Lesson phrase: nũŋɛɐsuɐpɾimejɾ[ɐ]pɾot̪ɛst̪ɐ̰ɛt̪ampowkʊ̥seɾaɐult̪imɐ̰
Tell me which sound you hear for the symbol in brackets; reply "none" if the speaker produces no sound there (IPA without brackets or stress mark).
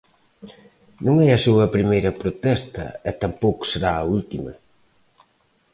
ɐ